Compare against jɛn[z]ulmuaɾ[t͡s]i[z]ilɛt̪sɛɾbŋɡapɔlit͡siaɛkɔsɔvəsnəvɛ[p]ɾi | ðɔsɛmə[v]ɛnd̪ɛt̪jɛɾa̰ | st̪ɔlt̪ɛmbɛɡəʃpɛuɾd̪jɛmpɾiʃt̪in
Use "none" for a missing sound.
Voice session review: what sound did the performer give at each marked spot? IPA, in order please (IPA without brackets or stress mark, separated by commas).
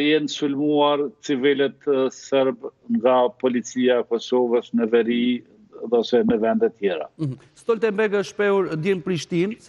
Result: s, t͡s, v, none, v